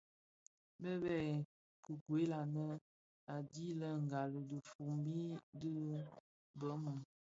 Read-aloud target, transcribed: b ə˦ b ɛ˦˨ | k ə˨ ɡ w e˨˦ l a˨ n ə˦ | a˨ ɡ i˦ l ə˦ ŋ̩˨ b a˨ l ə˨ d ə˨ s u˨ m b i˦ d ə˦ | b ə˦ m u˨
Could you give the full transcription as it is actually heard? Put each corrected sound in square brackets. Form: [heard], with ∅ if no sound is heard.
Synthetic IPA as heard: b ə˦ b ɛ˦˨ | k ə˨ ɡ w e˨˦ l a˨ n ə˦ | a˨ [d] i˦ l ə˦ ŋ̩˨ [ɡ] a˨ l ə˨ d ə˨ [f] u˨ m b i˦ d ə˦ | b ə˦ m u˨